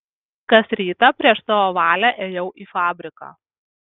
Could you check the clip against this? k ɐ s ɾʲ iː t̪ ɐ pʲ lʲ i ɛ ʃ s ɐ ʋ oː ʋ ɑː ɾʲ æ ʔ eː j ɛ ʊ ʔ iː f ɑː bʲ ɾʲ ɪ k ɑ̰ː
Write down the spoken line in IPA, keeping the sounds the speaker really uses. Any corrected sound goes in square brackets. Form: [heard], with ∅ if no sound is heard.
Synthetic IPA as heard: k ɐ s ɾʲ iː t̪ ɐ pʲ [ɾʲ] i ɛ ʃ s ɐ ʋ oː ʋ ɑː [lʲ] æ ʔ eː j ɛ ʊ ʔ iː f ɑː bʲ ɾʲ ɪ k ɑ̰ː

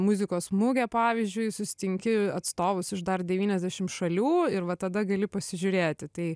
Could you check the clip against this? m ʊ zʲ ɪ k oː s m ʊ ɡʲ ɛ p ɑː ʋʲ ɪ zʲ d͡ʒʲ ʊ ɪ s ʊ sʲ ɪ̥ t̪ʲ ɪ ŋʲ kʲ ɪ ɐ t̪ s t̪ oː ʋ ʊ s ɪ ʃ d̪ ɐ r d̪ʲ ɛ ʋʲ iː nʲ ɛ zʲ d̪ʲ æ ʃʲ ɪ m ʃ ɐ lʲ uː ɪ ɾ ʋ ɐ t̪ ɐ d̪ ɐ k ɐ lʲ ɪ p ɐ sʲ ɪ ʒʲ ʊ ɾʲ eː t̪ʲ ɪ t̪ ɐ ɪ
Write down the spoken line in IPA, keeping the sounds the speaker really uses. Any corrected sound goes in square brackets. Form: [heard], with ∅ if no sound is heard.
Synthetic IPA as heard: m ʊ zʲ ɪ k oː s m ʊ ɡʲ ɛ p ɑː ʋʲ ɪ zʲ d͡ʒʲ ʊ ɪ s ʊ sʲ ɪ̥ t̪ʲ ɪ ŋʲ kʲ ɪ ɐ t̪ s t̪ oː ʋ ʊ s ɪ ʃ d̪ ɐ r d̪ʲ ɛ ʋʲ iː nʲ ɛ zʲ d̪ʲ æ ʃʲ ɪ m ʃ ɐ lʲ uː ɪ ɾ ʋ ɐ t̪ ɐ d̪ ɐ [ɡ] ɐ lʲ ɪ p ɐ sʲ ɪ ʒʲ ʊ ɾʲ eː t̪ʲ ɪ t̪ ɐ ɪ

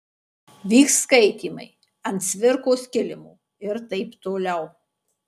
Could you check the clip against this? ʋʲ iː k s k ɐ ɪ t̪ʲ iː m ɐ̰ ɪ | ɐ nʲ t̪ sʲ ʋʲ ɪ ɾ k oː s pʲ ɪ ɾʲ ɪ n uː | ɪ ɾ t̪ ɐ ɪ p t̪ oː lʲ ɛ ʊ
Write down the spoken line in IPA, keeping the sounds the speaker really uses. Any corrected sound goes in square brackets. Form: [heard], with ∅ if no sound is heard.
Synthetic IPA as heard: ʋʲ iː k s k ɐ ɪ t̪ʲ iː m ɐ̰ ɪ | ɐ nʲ t̪ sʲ ʋʲ ɪ ɾ k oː s [kʲ] ɪ [lʲ] ɪ [m] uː | ɪ ɾ t̪ ɐ ɪ p t̪ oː lʲ ɛ ʊ

